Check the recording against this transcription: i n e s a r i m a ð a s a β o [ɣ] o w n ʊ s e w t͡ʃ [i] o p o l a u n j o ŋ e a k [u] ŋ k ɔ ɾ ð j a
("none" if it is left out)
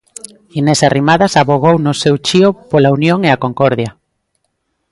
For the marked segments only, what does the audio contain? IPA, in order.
ɣ, i, o

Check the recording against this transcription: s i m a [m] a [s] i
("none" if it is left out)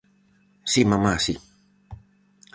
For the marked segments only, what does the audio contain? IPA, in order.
m, s

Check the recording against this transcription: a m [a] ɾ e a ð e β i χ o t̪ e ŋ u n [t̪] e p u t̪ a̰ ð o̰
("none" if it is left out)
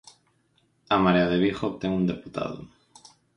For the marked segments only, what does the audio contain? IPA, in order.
a, d̪

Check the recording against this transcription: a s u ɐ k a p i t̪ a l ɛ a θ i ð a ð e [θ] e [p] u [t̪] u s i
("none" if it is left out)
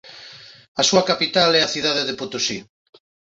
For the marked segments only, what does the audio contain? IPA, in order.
ð, p, t̪

